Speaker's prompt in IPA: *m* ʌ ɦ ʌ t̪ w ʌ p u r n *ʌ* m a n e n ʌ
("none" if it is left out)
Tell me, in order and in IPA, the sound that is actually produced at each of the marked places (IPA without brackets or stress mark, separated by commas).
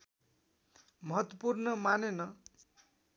m, ʌ